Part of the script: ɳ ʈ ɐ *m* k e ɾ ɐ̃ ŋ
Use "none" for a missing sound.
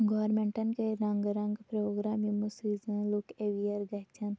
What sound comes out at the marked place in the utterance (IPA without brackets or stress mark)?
n